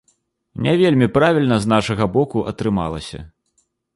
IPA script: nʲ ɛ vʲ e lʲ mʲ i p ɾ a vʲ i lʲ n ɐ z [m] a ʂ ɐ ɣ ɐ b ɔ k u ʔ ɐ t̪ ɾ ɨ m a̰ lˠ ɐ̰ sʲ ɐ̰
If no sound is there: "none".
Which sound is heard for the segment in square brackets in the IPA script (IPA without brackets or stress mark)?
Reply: n